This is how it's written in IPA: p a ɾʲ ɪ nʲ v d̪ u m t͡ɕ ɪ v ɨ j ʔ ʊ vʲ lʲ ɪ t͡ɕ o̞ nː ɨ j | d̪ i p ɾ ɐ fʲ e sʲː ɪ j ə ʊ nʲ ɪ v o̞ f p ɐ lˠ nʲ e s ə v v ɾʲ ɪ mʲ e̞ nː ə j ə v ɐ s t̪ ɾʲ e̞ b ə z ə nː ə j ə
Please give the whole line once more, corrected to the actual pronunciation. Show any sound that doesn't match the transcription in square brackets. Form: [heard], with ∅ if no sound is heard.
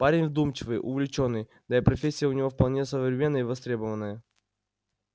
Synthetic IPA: p a ɾʲ ɪ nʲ v d̪ u m t͡ɕ ɪ v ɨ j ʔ ʊ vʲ lʲ ɪ t͡ɕ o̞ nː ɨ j | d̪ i p ɾ ɐ fʲ e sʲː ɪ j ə ʊ nʲ ɪ v o̞ f p ɐ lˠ nʲ e s ə v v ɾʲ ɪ mʲ e̞ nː ə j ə v ɐ s t̪ ɾʲ e̞ b ə [v] ə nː ə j ə